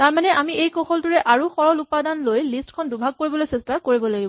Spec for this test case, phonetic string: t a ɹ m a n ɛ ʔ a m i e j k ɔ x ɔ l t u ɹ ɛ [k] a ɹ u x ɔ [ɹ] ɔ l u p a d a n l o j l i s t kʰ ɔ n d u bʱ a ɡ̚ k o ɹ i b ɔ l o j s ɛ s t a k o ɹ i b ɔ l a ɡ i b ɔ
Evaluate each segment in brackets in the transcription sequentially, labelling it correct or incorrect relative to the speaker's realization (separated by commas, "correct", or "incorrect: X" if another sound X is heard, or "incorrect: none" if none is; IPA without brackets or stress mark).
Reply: incorrect: ʔ, correct